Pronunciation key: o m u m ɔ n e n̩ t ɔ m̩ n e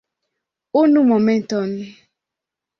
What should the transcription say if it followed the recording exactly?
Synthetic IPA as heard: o n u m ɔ m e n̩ t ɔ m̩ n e